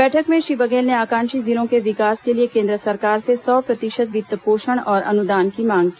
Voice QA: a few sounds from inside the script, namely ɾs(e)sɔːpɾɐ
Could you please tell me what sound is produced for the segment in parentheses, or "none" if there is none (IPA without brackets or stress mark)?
e